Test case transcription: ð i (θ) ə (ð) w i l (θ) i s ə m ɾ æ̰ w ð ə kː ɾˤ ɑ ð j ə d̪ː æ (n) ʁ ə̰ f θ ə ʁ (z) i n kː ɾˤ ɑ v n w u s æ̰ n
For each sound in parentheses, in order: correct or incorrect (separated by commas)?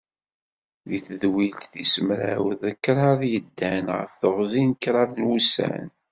correct, correct, correct, correct, correct